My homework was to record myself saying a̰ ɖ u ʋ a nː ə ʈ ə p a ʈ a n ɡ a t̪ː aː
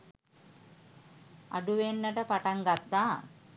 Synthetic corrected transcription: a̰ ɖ u ʋ e nː ə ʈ ə p a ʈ a ŋ ɡ a t̪ː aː